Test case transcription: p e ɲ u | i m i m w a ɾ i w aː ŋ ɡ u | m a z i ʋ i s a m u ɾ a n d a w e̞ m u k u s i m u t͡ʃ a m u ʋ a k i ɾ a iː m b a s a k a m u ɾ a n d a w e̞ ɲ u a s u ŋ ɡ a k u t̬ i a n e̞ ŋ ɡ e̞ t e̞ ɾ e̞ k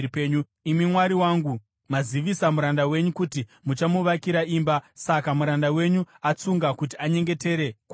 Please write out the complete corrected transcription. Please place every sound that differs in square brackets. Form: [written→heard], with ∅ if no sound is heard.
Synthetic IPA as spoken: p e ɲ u | i m i m w a ɾ i w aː ŋ ɡ u | m a z i ʋ i s a m u ɾ a n d a w e̞ [m→ɲ] u k u [s→t] i m u t͡ʃ a m u ʋ a k i ɾ a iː m b a s a k a m u ɾ a n d a w e̞ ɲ u a [s→t͡s] u ŋ ɡ a k u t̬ i a [n→ɲ] e̞ ŋ ɡ e̞ t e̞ ɾ e̞ k